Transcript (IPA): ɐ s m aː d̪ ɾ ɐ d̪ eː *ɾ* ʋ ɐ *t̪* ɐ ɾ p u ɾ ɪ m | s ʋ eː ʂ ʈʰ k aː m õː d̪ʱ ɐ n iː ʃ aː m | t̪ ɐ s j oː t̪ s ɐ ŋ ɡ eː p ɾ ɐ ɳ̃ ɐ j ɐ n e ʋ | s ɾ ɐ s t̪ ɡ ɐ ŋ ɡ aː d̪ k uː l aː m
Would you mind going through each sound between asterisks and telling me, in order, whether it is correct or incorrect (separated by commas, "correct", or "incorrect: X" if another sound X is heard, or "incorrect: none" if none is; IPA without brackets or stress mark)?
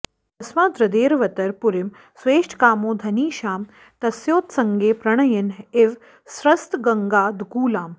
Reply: correct, correct